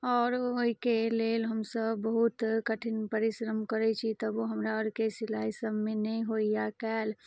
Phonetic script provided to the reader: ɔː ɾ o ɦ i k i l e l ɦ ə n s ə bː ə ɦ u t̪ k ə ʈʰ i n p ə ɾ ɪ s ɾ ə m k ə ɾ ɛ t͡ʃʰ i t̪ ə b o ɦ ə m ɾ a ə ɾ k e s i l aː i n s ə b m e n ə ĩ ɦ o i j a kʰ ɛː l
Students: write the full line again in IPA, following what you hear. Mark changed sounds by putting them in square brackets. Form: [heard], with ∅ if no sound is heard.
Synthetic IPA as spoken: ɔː ɾ o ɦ i k [e] l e l ɦ ə [m] s ə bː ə ɦ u t̪ k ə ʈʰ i n p ə ɾ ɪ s ɾ ə m k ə ɾ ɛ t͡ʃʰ i t̪ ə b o ɦ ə m ɾ a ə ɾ k e s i l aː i [∅] s ə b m e n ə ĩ ɦ o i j a [k] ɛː l